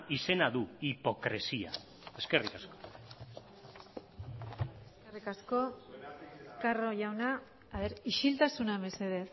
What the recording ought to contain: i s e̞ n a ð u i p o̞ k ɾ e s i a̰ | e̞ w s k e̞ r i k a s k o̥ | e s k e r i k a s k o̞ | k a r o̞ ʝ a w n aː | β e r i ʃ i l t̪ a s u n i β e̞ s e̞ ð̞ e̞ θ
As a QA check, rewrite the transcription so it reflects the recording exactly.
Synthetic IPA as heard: i s e̞ n a ð u i p o̞ k ɾ e s i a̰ | e̞ s k e̞ r i k a s k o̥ | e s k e r i k a s k o̞ | k a r o̞ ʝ a w n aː | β e ɾ i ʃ i l t̪ a s u n a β e̞ s e̞ ð̞ e̞ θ